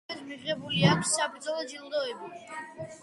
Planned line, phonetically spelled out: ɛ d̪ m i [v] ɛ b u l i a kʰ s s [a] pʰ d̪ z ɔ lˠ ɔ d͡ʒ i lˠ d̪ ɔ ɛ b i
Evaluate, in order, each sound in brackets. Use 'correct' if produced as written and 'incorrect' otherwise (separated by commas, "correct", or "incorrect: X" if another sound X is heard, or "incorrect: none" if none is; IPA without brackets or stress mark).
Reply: incorrect: ʁ, correct